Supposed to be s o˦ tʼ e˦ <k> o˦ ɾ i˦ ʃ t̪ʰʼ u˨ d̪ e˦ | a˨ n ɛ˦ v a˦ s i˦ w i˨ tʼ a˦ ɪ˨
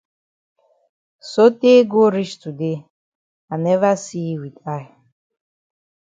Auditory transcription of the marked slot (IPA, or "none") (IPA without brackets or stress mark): ɡ